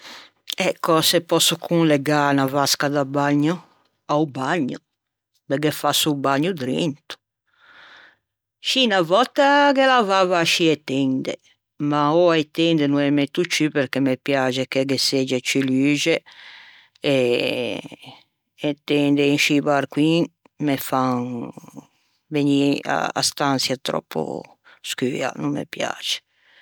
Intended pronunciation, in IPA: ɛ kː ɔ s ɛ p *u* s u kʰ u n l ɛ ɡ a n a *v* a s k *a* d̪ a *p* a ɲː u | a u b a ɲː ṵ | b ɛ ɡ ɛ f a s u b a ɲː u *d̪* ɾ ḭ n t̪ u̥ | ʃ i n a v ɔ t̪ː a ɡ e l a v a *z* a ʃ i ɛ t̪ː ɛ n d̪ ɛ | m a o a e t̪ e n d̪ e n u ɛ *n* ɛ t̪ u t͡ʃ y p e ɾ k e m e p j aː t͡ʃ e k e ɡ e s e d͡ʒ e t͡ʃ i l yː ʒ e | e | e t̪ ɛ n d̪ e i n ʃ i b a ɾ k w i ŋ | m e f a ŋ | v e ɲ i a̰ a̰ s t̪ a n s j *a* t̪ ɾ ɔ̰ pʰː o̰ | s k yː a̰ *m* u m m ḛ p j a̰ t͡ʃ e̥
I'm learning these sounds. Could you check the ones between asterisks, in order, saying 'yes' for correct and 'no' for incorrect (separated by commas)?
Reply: no, yes, yes, no, yes, no, no, yes, no